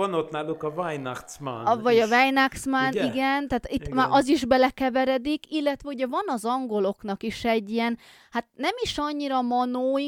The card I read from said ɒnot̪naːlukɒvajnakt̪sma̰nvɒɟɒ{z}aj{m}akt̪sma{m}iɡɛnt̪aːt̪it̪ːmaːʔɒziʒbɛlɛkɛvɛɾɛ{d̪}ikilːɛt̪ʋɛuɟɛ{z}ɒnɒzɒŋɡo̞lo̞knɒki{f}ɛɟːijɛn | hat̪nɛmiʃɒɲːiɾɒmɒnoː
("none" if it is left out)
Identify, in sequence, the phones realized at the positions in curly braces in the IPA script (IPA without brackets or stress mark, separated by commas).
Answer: v, n, n, d̪, v, ʃ